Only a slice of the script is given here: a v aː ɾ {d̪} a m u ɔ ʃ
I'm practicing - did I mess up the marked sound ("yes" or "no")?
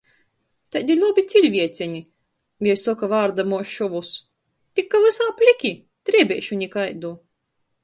no